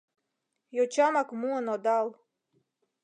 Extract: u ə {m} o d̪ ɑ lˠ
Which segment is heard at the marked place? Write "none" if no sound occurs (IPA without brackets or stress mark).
n